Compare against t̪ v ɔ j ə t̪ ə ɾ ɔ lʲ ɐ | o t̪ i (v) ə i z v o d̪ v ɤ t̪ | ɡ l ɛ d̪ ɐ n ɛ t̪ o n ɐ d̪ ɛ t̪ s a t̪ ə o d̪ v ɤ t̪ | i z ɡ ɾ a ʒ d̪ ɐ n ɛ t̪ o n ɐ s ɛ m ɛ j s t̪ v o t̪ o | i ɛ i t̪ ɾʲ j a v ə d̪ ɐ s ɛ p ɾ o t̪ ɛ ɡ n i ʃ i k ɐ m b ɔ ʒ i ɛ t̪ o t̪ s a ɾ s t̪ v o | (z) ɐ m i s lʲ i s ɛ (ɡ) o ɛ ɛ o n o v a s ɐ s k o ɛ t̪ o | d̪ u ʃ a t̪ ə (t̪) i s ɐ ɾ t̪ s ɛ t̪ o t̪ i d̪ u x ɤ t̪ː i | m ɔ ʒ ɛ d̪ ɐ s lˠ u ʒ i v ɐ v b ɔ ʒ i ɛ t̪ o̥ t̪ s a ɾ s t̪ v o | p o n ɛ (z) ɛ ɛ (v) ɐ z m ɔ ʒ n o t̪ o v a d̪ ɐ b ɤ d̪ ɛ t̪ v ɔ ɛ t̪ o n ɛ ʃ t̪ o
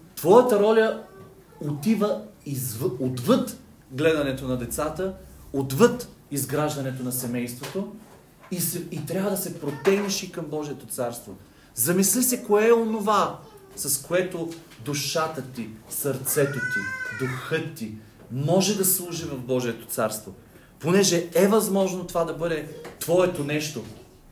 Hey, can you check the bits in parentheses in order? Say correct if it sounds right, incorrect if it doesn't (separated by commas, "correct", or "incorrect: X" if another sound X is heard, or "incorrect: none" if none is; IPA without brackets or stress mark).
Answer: correct, correct, incorrect: k, correct, incorrect: ʒ, correct